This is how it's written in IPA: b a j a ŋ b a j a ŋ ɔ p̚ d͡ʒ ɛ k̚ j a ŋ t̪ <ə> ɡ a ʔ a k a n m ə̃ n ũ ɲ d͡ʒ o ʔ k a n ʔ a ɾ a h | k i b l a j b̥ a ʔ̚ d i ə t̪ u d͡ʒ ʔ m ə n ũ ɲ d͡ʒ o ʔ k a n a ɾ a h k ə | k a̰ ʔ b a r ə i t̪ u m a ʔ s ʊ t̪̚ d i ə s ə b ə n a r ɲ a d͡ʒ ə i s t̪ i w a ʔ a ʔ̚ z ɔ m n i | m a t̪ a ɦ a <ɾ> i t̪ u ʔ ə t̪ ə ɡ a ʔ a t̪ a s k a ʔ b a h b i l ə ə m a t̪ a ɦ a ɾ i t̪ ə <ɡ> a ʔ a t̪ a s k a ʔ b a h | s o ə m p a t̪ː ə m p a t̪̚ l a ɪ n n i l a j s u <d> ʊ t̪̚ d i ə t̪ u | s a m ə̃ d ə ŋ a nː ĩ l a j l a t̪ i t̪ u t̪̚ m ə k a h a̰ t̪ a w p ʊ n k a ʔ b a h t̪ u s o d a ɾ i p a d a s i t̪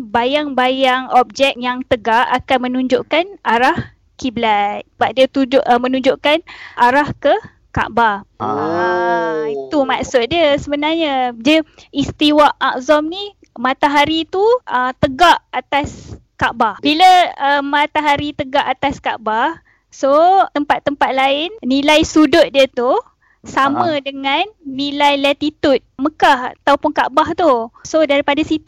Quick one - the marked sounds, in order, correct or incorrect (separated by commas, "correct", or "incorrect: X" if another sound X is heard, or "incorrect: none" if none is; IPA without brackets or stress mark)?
correct, correct, correct, correct